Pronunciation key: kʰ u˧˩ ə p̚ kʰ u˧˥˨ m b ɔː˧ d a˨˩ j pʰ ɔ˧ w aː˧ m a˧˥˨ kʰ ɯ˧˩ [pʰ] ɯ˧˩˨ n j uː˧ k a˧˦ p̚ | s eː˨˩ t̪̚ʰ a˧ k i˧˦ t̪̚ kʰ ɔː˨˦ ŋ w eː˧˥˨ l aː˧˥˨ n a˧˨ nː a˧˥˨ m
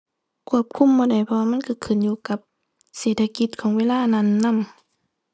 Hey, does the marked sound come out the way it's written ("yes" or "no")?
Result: no